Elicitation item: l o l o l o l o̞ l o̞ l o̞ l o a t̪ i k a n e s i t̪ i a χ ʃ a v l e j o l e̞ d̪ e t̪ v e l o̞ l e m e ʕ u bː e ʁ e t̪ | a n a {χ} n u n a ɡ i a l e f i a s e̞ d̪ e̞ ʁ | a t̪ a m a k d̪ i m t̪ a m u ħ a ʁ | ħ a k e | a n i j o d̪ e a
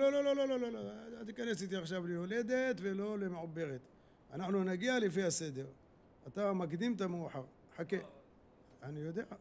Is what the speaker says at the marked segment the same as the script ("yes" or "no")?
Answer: no